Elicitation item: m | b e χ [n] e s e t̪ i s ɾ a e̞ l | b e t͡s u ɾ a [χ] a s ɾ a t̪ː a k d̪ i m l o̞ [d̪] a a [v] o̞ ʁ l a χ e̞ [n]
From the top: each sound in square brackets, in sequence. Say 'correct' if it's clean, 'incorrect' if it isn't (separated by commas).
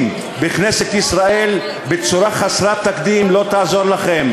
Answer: correct, correct, incorrect, incorrect, incorrect